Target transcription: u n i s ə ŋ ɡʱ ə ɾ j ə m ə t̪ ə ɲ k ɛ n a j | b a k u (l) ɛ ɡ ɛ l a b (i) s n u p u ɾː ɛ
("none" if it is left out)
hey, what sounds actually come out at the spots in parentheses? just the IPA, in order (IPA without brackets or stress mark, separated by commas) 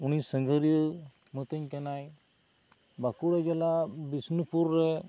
ɽ, i